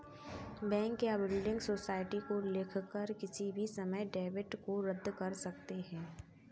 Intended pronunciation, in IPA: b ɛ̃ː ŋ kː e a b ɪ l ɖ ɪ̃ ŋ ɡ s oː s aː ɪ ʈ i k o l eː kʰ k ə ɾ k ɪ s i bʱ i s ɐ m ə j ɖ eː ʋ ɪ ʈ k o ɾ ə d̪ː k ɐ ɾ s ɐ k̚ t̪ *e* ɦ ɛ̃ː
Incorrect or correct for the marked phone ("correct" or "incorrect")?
correct